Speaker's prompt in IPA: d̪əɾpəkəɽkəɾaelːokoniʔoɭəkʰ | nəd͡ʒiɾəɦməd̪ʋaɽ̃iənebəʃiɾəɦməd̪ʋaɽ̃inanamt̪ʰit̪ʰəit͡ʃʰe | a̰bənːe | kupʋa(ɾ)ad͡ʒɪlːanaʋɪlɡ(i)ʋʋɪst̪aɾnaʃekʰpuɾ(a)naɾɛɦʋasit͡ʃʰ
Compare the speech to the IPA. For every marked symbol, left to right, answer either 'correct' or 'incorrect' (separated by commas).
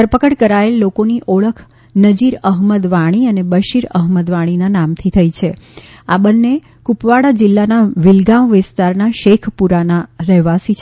incorrect, incorrect, correct